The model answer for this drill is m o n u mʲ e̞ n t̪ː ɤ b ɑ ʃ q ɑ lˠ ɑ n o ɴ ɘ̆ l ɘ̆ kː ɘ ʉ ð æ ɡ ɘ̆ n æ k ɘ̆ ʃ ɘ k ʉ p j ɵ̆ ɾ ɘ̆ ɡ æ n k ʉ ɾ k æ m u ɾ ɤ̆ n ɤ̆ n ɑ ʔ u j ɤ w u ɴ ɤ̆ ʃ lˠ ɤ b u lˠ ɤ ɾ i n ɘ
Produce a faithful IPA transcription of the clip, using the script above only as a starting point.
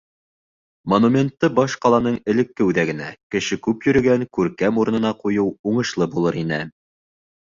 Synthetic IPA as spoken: m o n u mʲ e̞ n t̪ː ɤ b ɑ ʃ q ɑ lˠ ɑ n ɤ ɴ ɘ̆ l ɘ̆ kː ɘ ʉ ð æ ɡ ɘ̆ n æ k ɘ̆ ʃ ɘ k ʉ p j ɵ̆ ɾ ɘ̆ ɡ æ ŋ k ʉ ɾ k æ m u ɾ ɤ̆ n ɤ̆ n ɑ q u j ɤ w u ɴ ɤ̆ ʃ lˠ ɤ b u lˠ ɤ ɾ i n ɘ